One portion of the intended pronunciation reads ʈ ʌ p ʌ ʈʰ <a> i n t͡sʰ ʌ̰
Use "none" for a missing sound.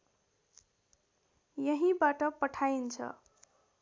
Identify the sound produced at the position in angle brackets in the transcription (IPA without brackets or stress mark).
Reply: a